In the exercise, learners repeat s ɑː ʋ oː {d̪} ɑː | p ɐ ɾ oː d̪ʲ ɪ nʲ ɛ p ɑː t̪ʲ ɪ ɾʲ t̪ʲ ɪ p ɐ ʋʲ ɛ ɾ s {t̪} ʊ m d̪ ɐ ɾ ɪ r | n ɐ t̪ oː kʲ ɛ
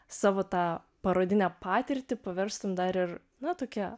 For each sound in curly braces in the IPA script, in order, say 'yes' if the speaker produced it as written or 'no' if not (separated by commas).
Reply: no, yes